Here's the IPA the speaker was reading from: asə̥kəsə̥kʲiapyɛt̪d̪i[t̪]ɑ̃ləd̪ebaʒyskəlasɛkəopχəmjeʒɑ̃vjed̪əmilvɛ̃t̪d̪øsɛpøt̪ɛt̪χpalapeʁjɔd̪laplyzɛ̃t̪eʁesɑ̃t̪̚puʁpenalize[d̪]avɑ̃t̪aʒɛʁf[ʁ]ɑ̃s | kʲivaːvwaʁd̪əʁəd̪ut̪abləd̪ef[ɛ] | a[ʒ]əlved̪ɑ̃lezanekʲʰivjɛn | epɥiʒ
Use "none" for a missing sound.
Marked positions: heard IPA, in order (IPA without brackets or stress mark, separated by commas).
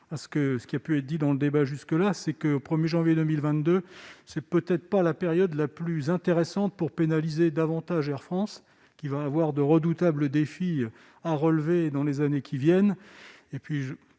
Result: d̪, d̪, χ, i, ʁ